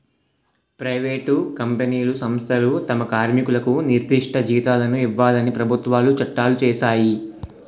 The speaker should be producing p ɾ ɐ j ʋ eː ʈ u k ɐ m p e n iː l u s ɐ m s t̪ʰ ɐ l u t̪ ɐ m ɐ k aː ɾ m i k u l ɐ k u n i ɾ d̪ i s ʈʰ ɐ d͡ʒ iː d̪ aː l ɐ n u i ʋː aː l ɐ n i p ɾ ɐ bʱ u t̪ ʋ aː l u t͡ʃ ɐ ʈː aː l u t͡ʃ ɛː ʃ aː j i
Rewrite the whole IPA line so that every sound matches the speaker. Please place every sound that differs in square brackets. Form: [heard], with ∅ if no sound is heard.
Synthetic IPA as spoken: p ɾ ɐ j ʋ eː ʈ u k ɐ m p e n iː l u s ɐ m s t̪ʰ ɐ l u t̪ ɐ m ɐ k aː ɾ m i k u l ɐ k u n i ɾ d̪ i [ʂ] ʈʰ ɐ d͡ʒ iː [t̪] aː l ɐ n u i ʋː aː l ɐ n i p ɾ ɐ bʱ u t̪ ʋ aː l u t͡ʃ ɐ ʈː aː l u t͡ʃ ɛː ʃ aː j i